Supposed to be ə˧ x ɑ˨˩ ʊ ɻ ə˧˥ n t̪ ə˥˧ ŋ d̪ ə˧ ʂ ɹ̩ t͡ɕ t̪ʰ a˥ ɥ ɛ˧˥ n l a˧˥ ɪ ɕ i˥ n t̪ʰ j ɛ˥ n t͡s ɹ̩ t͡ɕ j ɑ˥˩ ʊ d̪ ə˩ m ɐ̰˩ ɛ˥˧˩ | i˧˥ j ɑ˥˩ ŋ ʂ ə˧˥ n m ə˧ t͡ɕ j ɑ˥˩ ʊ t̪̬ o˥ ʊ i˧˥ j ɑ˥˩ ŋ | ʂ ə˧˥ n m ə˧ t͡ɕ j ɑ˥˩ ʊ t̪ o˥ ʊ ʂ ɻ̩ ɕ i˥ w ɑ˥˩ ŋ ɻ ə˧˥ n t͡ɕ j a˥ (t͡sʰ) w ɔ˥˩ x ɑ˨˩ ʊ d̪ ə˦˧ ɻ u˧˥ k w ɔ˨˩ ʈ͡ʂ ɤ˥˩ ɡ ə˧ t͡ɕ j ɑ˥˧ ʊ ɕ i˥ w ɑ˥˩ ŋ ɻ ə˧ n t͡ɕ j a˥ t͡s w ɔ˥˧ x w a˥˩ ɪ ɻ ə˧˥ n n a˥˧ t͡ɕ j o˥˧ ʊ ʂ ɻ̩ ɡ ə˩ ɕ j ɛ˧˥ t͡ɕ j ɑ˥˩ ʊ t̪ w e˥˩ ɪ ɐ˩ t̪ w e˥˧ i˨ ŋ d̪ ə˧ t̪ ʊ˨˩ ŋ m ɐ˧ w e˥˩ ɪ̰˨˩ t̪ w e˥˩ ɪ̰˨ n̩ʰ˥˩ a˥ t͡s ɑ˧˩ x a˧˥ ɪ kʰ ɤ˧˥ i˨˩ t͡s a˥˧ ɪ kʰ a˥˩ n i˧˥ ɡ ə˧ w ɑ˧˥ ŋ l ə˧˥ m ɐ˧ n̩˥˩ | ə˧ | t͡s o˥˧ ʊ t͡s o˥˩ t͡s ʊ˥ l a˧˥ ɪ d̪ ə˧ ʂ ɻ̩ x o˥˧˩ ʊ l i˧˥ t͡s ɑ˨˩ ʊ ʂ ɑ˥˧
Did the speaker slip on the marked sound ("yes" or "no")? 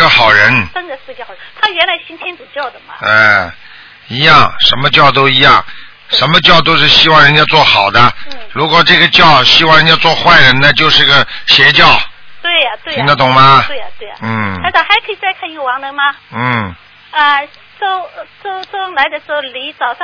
yes